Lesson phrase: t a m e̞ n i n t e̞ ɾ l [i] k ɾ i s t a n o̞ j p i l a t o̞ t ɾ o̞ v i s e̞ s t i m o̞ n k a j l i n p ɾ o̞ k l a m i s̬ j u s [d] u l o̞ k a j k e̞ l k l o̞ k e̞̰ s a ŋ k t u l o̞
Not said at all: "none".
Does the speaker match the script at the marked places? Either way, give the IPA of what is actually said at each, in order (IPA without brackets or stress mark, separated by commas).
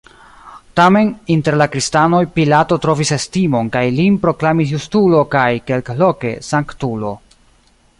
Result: a, t